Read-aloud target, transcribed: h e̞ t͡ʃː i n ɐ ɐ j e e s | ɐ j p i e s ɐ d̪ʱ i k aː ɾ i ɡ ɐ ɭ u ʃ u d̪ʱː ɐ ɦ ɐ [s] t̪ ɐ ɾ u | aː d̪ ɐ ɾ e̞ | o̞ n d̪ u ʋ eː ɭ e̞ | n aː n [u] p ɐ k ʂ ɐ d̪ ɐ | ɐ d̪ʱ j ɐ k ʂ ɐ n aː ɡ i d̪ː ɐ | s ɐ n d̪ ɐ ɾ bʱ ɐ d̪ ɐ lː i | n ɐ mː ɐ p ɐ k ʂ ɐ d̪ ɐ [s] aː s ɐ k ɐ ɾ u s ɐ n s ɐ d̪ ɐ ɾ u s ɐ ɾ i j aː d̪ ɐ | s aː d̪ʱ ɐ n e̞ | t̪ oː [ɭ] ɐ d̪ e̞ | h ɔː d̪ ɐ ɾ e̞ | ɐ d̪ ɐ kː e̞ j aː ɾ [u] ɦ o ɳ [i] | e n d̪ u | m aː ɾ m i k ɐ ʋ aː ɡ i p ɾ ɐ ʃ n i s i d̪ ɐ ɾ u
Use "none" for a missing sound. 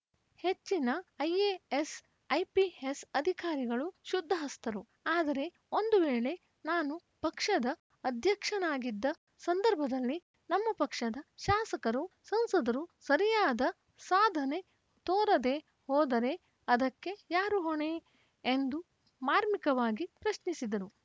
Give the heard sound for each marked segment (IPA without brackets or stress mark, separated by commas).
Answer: s, u, ʃ, ɾ, u, e